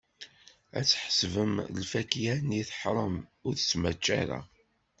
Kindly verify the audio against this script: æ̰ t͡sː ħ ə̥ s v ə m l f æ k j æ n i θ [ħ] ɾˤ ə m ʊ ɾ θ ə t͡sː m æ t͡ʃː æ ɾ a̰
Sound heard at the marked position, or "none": ħ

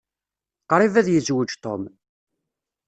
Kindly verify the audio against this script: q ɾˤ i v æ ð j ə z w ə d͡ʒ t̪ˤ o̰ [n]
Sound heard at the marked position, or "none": m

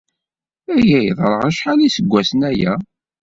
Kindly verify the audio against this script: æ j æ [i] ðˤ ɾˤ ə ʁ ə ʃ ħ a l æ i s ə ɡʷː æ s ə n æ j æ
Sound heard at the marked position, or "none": j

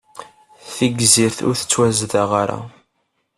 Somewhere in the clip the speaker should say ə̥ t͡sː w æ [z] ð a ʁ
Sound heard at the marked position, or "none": z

